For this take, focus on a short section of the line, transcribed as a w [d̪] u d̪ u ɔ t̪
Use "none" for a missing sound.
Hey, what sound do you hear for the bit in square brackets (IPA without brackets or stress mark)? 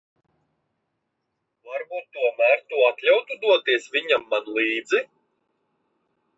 t̪